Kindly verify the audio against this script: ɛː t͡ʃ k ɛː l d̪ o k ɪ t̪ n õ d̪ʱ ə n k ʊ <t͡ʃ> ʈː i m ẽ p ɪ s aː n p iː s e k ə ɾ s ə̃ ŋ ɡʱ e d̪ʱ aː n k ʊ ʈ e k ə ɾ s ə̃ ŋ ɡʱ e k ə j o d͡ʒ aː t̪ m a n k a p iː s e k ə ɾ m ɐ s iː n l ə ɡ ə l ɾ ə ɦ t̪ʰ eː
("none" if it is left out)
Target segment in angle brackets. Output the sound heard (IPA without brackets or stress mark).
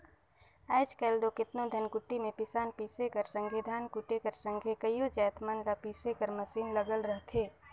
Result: none